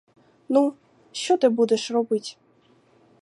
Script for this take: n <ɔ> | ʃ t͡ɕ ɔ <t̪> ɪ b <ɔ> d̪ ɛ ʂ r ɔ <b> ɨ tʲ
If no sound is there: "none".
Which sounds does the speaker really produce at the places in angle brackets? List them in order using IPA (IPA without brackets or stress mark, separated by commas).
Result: u, t̪, u, b